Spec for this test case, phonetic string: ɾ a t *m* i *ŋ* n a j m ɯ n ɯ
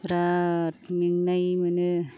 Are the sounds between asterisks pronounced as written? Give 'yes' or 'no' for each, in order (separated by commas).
yes, yes